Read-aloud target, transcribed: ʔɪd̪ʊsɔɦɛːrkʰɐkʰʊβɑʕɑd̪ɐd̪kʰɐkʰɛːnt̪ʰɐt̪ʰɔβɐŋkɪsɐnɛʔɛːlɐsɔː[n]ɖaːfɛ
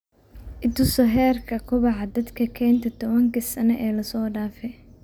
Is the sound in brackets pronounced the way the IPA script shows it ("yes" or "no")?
no